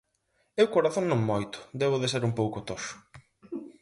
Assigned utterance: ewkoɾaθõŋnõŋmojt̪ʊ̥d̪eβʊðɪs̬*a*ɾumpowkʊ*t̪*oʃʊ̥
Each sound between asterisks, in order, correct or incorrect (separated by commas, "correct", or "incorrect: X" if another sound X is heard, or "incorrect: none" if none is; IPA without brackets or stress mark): incorrect: e, correct